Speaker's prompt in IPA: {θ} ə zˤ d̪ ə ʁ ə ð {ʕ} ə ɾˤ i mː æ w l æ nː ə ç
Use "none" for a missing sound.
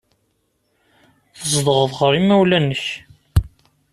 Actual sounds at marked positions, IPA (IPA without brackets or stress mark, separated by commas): θ, ʁ